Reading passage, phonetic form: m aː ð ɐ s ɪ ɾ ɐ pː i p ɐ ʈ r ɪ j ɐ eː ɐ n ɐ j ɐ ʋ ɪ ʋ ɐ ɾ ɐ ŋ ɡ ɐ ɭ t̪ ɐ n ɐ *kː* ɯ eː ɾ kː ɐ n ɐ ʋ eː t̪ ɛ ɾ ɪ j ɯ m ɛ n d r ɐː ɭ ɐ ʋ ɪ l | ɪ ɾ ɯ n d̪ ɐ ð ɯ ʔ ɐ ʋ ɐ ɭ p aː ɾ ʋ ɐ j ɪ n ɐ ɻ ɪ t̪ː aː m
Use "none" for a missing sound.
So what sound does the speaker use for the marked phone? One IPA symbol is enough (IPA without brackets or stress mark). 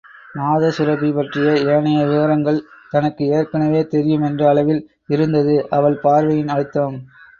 kː